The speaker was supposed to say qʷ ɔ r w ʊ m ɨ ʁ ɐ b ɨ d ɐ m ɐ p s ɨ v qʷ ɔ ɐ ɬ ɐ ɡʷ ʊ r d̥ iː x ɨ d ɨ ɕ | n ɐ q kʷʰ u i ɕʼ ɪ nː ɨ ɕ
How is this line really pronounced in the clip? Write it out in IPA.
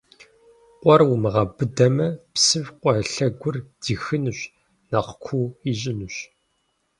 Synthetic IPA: qʷ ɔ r w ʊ m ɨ ʁ ɐ b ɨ d ɐ m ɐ p s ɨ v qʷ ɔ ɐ ɬ ɐ ɡʷ ʊ r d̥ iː x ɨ n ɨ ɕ | n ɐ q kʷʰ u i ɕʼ ɪ n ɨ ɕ